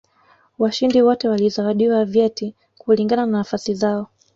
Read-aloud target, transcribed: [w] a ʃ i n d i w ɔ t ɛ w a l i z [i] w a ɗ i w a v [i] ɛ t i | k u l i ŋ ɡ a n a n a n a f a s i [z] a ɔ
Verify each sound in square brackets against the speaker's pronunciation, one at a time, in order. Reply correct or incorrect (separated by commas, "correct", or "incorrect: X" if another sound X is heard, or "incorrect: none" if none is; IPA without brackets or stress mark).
correct, incorrect: a, incorrect: j, correct